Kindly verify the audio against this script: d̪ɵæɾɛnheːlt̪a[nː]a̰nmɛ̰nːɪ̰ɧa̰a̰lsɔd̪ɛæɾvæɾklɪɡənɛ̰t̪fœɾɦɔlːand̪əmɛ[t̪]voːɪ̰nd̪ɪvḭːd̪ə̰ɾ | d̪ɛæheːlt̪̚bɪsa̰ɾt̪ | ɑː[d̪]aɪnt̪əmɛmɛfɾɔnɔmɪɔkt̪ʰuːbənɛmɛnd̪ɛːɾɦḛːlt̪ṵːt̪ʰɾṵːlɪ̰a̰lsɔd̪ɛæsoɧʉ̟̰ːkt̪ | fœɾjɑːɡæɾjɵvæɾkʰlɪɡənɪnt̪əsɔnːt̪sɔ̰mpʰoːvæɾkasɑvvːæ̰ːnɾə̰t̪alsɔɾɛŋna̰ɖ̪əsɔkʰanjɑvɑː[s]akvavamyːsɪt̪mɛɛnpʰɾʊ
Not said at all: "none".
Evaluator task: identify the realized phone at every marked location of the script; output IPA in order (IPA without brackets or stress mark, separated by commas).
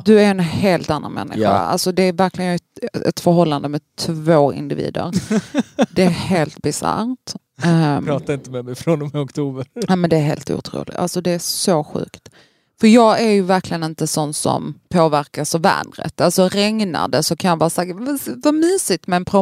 nː, t̪ʰ, t̪, s